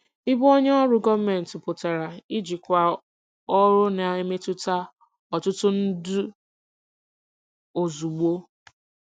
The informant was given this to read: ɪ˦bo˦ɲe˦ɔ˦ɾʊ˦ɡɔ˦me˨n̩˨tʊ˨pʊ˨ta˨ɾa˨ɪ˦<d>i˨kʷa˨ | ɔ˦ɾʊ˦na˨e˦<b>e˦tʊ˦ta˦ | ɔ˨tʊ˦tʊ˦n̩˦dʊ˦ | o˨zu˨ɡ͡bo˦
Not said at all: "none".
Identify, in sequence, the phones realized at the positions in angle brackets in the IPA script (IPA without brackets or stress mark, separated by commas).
d͡ʒ, m